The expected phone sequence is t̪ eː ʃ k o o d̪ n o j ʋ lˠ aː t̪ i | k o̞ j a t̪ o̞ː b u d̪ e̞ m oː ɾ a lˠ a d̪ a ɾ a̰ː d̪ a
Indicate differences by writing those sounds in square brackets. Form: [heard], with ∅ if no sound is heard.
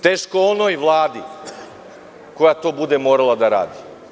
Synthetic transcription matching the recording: t̪ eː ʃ k o o [∅] n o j ʋ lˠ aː [d̪] i | k o̞ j a t̪ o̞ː b u d̪ e̞ m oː ɾ a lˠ a d̪ a ɾ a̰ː d̪ [i]